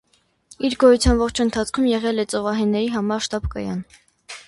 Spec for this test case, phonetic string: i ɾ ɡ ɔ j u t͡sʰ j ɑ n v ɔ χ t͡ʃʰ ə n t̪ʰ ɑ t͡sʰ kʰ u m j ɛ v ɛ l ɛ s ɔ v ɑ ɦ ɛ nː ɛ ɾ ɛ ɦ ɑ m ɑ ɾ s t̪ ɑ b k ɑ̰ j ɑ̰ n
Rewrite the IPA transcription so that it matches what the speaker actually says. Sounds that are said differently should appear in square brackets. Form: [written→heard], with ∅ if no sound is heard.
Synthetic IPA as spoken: i ɾ ɡ ɔ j u t͡sʰ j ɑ n v ɔ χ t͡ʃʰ ə n t̪ʰ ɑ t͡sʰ kʰ u m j ɛ [v→ʁ] ɛ l ɛ [s→t͡s] ɔ v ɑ ɦ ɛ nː ɛ ɾ [ɛ→i] ɦ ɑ m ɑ ɾ [s→ʃ] t̪ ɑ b k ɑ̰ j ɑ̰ n